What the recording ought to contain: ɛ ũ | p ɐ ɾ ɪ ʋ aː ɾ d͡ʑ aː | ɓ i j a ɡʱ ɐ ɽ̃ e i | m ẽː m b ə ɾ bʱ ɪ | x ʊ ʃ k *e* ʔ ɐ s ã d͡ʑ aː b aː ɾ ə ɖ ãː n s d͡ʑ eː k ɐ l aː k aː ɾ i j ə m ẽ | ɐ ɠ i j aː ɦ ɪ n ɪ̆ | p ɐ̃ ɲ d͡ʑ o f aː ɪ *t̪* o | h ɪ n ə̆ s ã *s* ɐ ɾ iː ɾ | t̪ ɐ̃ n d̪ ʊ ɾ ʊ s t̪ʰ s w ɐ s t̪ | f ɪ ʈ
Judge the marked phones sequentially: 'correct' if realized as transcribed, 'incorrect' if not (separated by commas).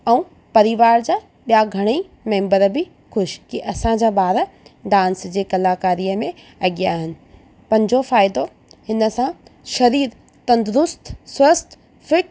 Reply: incorrect, incorrect, incorrect